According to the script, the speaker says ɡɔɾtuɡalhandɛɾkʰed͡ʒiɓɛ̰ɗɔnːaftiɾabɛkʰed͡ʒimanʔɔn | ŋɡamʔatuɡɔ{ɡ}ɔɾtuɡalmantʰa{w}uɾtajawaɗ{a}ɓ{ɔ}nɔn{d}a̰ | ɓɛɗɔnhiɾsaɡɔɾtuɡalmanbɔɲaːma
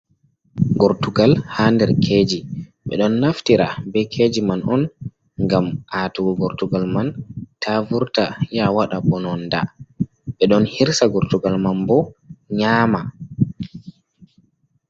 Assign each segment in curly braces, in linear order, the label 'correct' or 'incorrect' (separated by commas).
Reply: correct, incorrect, correct, correct, correct